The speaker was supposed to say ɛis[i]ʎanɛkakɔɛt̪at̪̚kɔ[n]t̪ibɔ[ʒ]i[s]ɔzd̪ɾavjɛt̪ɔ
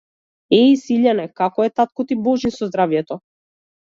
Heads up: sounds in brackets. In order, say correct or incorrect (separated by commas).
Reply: correct, incorrect, correct, correct